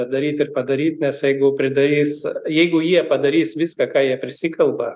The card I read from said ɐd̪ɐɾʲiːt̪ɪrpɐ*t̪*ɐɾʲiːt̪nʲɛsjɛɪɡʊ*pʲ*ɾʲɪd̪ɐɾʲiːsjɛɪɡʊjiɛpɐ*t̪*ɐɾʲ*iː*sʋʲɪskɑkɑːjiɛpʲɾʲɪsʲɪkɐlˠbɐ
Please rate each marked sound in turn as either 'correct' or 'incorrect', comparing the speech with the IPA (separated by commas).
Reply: incorrect, correct, incorrect, correct